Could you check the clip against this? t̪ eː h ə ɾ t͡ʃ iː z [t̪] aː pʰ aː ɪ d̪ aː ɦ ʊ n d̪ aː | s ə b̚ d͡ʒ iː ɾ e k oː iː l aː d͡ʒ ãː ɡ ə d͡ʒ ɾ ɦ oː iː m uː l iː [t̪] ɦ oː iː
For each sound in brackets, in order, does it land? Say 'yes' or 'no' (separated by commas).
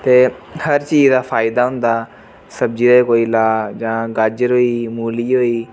no, no